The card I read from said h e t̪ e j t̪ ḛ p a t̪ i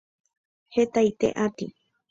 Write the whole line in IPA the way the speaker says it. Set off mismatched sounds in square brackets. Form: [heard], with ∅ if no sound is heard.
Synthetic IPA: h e t̪ [a] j t̪ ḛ [ʔ] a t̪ i